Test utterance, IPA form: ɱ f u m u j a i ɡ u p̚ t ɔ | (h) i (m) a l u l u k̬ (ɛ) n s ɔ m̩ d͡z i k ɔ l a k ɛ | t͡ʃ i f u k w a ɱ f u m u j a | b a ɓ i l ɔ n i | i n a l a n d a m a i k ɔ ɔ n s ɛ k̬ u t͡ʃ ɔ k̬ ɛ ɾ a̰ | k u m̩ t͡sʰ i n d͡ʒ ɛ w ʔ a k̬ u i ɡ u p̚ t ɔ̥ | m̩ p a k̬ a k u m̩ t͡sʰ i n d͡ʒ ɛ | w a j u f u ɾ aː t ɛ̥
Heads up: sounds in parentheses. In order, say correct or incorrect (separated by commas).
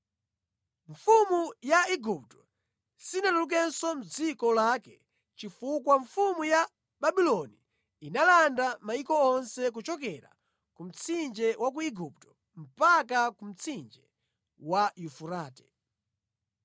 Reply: incorrect, incorrect, correct